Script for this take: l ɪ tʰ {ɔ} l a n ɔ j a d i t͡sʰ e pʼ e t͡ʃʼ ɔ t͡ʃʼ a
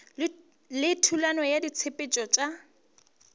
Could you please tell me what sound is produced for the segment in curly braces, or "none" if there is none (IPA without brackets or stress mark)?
u